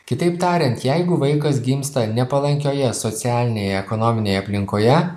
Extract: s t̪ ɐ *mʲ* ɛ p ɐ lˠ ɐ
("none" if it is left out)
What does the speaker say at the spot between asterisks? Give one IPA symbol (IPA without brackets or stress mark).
nʲ